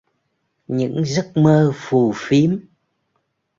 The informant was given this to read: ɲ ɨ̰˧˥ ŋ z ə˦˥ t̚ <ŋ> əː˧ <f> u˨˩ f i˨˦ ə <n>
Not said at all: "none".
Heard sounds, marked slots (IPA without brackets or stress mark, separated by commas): m, f, m